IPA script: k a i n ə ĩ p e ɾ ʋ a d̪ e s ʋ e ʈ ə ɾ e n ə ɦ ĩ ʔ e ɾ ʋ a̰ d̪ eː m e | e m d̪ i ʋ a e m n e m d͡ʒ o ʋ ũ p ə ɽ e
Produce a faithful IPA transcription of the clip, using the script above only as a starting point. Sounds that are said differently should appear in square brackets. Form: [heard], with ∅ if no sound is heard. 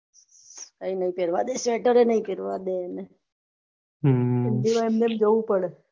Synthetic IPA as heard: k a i n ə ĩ p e ɾ ʋ a d̪ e s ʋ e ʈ ə ɾ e n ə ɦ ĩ [p] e ɾ ʋ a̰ d̪ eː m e | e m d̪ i ʋ a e m n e m d͡ʒ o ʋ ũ p ə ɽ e